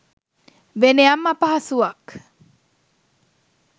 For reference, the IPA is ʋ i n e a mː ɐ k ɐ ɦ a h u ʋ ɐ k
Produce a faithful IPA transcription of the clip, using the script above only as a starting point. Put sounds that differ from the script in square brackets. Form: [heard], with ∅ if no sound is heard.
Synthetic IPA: ʋ [e] n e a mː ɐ [p] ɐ ɦ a [s] u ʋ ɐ k